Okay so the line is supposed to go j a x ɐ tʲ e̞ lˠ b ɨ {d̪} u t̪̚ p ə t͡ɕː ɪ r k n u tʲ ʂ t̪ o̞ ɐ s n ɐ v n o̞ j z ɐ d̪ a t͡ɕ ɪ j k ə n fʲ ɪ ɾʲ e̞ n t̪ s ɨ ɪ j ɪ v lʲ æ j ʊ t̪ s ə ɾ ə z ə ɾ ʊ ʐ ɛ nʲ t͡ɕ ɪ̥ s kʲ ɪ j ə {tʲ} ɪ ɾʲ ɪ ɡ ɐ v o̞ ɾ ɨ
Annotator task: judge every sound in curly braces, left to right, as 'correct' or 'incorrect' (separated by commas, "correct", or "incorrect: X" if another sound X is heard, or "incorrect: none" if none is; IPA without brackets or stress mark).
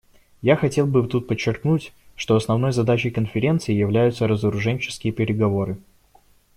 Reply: incorrect: t̪, incorrect: pʲ